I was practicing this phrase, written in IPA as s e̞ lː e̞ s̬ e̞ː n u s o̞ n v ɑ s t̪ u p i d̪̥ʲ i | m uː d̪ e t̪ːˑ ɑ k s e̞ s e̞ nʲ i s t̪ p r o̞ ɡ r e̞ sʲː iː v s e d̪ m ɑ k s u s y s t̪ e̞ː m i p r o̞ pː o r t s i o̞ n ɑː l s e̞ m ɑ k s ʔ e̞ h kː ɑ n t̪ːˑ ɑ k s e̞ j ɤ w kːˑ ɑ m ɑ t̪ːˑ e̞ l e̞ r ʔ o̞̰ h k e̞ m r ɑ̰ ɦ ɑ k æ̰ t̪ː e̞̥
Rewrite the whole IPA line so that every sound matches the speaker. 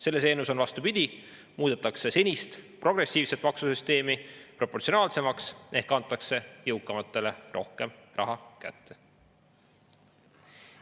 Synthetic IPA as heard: s e̞ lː e̞ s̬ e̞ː n u s o̞ n v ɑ s t̪ u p i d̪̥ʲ i | m uː d̪ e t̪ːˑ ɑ k s e̞ s e̞ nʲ i s t̪ p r o̞ ɡ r e̞ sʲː iː v s e t̪ m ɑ k s u s y s t̪ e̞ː m i p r o̞ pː o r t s i o̞ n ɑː l s e̞ m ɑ k s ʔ e̞ h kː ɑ n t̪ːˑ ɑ k s e̞ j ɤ w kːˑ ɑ m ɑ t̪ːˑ e̞ l e̞ r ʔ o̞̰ h k e̞ m r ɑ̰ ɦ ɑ k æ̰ t̪ː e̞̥